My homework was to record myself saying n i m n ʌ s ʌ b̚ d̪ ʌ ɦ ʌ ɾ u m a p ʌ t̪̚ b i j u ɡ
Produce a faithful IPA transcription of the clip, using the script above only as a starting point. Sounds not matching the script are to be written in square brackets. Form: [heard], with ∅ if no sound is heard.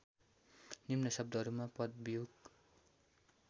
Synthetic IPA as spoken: n i m n ʌ s ʌ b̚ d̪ ʌ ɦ ʌ ɾ u m a p ʌ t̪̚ b i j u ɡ